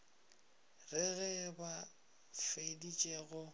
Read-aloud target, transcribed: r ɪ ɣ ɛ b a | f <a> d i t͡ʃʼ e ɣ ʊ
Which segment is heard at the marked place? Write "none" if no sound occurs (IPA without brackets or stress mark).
e